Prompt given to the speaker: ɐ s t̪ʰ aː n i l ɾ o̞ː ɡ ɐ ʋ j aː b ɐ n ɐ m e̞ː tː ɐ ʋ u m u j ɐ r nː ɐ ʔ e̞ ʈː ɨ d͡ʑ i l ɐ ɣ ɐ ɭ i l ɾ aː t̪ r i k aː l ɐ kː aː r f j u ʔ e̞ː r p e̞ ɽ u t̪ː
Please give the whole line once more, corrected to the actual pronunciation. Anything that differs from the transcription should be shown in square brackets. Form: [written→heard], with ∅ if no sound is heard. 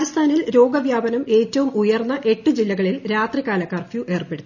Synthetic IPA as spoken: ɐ s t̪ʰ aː n i l ɾ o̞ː ɡ ɐ ʋ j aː b ɐ n ɐ m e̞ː tː ɐ ʋ u m u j ɐ r nː ɐ ʔ e̞ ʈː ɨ d͡ʑ i [l→lː] ɐ ɣ ɐ ɭ i l ɾ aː t̪ r i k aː l ɐ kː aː r f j u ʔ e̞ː r p e̞ ɽ u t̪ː